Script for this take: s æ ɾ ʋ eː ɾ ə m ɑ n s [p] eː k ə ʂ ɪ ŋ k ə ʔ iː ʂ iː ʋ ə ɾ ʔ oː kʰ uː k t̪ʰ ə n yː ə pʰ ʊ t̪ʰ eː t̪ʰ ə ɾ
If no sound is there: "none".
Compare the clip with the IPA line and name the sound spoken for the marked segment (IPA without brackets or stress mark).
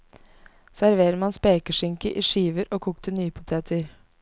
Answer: p